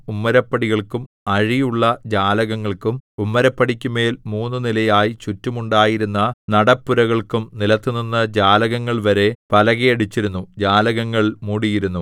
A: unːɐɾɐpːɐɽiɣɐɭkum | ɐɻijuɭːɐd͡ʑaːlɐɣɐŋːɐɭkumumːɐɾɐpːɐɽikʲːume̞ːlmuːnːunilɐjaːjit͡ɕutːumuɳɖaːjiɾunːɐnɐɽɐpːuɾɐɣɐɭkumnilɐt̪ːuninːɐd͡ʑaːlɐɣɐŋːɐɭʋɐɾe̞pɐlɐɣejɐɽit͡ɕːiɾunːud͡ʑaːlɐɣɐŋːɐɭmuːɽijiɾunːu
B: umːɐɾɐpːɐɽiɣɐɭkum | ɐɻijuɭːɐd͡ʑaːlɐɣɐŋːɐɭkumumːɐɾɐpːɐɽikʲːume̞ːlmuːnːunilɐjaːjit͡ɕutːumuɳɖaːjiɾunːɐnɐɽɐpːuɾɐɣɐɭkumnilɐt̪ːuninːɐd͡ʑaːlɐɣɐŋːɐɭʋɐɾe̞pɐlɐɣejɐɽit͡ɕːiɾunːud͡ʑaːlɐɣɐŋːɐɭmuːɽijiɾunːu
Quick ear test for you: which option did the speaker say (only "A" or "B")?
B